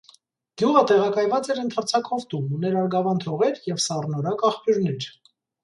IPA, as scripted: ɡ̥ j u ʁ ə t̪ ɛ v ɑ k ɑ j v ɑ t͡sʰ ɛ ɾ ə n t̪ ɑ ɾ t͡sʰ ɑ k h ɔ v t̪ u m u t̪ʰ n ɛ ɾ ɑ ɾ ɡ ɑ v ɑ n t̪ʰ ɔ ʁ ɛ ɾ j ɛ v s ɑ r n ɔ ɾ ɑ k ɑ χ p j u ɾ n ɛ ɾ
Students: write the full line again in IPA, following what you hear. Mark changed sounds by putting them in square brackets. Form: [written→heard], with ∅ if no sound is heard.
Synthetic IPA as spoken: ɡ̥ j u ʁ ə t̪ ɛ [v→ʁ] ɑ k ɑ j v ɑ [t͡sʰ→t͡s] ɛ ɾ ə n [t̪→t̪ʰ] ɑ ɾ t͡sʰ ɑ k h ɔ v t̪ u m u [t̪ʰ→∅] n ɛ ɾ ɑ ɾ ɡ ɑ v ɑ n t̪ʰ ɔ ʁ ɛ ɾ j ɛ v s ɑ r n ɔ ɾ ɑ k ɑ χ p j u ɾ n ɛ ɾ